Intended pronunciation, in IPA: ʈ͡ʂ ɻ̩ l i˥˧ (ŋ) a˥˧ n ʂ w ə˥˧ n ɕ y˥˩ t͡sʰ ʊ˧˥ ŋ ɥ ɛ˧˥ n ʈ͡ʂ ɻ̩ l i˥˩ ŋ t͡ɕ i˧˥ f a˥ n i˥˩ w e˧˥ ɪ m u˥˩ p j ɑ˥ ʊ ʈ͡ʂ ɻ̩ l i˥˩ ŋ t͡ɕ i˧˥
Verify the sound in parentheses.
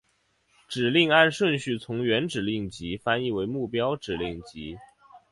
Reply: correct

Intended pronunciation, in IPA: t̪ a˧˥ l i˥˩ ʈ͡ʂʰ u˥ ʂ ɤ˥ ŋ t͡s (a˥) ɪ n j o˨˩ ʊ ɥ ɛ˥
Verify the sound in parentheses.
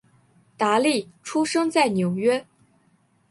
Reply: incorrect: a˥˩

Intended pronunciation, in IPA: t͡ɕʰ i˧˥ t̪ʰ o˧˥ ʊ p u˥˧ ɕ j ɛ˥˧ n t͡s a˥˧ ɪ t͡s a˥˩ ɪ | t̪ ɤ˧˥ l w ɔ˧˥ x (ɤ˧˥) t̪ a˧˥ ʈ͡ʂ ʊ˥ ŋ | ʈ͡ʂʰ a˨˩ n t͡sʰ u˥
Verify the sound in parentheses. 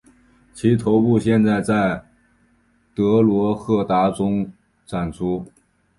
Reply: incorrect: ɤ˥˩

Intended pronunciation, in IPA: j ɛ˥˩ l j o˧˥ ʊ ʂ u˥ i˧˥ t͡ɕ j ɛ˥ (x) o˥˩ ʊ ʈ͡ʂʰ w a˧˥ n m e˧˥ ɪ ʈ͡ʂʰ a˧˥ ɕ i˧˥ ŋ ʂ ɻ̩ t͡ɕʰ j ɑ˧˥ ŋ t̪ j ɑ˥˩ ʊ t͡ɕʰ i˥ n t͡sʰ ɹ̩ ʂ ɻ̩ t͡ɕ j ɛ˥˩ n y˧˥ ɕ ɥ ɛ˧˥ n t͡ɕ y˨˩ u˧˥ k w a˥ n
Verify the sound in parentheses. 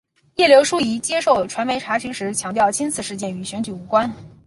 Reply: incorrect: ʂ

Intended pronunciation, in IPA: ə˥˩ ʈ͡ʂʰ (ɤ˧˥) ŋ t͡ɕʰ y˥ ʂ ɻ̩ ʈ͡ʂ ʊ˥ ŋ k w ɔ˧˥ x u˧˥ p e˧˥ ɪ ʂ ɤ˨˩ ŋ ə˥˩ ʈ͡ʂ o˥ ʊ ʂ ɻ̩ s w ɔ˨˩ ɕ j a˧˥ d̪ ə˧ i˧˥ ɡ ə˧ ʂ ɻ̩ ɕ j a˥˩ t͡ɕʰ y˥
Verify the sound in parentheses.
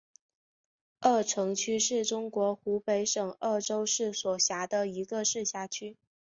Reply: correct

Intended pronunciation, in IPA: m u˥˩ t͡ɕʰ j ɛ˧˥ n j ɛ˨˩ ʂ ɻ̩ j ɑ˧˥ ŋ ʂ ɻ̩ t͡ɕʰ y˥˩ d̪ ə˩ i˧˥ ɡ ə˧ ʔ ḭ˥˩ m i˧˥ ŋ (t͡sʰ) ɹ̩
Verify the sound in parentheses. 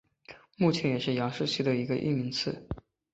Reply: correct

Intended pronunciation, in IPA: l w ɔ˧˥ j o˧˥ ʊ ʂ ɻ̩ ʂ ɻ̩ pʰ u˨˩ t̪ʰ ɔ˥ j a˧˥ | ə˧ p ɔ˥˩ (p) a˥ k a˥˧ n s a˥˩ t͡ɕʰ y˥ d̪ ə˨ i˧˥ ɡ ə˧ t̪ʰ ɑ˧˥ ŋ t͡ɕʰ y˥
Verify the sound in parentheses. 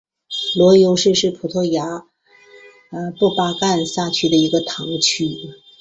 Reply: correct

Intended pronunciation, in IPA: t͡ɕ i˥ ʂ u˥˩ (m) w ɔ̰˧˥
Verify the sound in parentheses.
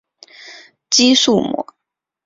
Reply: correct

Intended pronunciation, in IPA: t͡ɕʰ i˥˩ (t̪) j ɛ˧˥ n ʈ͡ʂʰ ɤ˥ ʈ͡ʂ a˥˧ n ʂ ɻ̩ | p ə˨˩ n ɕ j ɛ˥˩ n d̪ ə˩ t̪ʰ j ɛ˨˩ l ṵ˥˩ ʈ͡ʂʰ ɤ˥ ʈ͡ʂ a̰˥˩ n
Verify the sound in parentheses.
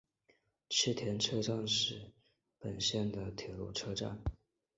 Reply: incorrect: t̪ʰ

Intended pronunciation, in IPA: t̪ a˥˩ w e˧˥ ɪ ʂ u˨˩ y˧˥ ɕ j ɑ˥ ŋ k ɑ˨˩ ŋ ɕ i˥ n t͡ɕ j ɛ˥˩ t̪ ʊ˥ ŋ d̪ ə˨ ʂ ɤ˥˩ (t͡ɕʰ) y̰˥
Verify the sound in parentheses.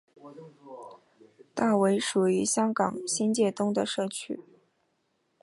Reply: correct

